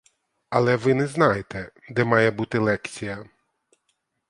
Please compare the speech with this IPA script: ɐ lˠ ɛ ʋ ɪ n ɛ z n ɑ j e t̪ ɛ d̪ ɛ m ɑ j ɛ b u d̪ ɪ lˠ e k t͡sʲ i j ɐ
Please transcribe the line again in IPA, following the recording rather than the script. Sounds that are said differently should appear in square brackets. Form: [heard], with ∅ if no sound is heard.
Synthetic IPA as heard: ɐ lˠ ɛ ʋ ɪ n ɛ z n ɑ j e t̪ ɛ d̪ ɛ m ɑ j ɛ b u [t̪] ɪ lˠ [ɛ] k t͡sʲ i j ɐ